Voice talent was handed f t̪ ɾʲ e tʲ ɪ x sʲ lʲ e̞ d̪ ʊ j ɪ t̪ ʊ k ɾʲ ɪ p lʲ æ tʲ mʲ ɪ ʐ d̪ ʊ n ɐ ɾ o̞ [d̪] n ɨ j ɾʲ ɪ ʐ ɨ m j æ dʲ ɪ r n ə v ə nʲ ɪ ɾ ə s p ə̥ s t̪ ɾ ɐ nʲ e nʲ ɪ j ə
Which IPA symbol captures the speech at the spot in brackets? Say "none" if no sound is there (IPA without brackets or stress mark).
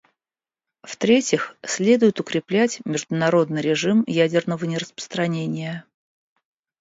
d̪